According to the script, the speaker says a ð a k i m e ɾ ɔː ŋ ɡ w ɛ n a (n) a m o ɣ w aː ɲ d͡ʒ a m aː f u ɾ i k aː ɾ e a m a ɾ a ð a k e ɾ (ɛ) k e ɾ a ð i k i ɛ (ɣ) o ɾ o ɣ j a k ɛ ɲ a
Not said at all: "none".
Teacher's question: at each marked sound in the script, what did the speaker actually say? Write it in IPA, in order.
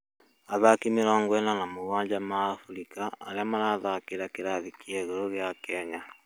n, a, ɣ

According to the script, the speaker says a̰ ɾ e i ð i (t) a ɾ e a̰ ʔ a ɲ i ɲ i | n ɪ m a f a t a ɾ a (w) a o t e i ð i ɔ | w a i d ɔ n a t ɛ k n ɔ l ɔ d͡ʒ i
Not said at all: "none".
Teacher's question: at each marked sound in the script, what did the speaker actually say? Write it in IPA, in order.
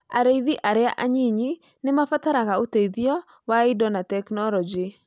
ʔ, ɣ

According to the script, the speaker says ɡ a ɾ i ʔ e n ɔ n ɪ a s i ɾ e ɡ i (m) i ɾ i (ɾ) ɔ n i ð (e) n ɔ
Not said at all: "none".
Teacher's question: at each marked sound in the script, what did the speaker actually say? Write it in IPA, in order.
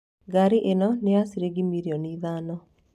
m, none, a

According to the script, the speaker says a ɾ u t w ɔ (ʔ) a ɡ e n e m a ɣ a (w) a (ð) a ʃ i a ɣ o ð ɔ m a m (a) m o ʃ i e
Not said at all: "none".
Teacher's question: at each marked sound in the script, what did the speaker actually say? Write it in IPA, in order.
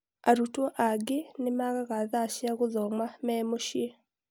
ʔ, ɣ, ð, ɛ

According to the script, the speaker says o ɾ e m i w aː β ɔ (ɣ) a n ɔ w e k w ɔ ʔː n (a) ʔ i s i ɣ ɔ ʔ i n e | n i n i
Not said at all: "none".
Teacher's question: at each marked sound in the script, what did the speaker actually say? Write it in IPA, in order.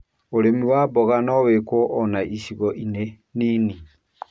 ɣ, a

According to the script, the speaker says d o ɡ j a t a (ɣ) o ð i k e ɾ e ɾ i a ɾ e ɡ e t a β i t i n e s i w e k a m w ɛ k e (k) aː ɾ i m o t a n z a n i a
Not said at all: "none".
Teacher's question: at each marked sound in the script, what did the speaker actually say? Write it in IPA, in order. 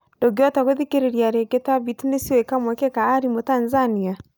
ɣ, k

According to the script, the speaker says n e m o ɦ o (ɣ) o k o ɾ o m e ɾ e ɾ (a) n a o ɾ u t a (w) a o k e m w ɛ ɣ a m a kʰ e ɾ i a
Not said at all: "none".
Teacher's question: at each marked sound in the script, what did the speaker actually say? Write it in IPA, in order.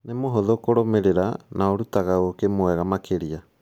ð, a, ɣ

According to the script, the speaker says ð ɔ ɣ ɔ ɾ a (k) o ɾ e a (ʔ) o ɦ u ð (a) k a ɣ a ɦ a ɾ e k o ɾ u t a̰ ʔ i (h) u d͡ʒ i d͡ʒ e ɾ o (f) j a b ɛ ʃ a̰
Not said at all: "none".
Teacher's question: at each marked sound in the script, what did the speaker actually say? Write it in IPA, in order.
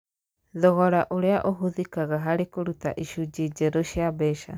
ʔ, ʔ, i, ʃ, ʃ

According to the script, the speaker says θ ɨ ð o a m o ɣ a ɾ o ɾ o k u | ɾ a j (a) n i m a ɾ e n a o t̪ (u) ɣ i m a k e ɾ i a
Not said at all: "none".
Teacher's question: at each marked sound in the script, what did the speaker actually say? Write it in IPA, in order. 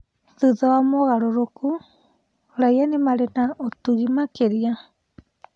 a, u

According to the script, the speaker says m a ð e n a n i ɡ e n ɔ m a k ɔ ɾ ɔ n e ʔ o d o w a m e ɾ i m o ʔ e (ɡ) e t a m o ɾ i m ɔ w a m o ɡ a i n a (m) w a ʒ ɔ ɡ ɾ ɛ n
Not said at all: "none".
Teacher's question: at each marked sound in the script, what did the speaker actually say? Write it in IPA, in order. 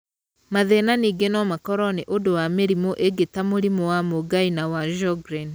ɡ, none

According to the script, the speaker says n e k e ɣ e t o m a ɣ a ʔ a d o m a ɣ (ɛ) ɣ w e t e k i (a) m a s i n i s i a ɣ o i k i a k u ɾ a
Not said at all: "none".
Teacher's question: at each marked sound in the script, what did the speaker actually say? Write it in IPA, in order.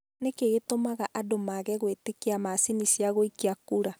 ɛ, a

